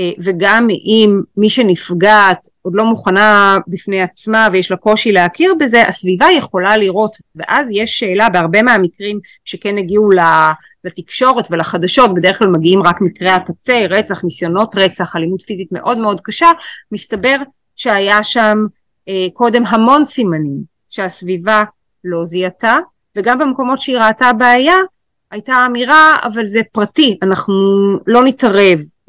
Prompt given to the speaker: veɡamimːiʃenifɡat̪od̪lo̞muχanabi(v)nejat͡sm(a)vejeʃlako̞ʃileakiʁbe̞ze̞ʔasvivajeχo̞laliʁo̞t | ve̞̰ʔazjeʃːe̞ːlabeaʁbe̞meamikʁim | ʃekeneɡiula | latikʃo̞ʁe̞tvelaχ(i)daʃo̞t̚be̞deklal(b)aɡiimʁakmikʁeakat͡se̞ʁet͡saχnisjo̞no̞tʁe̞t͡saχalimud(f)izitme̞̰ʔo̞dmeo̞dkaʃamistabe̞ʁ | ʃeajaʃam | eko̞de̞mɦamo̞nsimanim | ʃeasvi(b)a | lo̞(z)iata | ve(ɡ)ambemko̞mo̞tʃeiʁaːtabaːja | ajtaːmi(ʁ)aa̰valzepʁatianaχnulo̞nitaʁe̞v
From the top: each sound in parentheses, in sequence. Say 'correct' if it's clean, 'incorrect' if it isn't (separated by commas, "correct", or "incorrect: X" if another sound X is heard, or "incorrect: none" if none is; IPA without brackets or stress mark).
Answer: incorrect: f, correct, incorrect: a, incorrect: m, correct, incorrect: v, correct, correct, correct